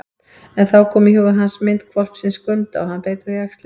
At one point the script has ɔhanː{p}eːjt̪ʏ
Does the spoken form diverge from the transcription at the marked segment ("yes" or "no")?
no